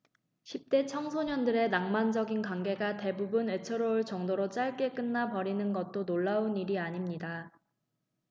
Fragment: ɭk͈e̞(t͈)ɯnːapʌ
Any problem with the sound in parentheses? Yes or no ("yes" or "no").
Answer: yes